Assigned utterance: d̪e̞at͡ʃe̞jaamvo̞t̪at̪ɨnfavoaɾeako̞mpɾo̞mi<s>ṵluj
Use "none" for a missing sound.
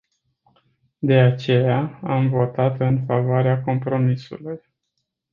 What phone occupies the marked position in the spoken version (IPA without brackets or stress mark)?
s